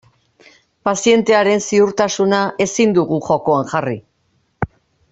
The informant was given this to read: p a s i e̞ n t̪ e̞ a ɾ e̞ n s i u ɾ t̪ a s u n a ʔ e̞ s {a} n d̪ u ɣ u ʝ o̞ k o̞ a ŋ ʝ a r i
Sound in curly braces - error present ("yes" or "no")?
yes